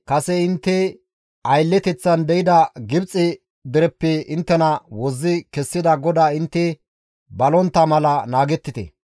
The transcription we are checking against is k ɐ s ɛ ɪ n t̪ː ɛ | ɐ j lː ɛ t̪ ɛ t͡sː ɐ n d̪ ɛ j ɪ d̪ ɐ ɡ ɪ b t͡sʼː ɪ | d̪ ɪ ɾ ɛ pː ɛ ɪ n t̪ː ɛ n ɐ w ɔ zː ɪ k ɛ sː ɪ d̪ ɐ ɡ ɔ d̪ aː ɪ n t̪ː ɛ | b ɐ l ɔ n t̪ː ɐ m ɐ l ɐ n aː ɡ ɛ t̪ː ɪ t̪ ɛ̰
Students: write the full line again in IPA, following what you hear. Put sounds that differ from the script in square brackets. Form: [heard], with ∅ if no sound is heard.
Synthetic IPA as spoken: k ɐ s ɛ ɪ n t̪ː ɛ | ɐ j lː ɛ t̪ ɛ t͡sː ɐ n d̪ ɛ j ɪ d̪ ɐ ɡ ɪ b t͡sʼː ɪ | d̪ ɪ ɾ ɛ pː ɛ ɪ n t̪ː ɛ n ɐ w ɔ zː ɪ k ɛ sː ɪ d̪ ɐ ɡ ɔ d̪ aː ɪ n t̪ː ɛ | b ɐ l ɔ n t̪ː ɐ m ɐ l ɐ n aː ɡ ɛ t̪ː ɪ t̪ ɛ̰